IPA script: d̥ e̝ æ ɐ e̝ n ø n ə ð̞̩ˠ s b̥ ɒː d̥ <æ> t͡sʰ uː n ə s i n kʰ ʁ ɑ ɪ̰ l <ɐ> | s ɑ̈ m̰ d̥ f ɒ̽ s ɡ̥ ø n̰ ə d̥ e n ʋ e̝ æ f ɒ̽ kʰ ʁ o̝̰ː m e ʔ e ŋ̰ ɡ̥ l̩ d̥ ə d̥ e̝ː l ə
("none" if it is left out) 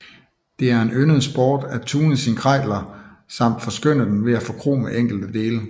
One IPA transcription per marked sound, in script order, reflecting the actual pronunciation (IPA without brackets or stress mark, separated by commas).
æ, ɐ